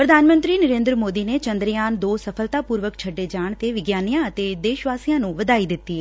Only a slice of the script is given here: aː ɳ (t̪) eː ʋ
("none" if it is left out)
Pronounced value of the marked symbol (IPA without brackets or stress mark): t̪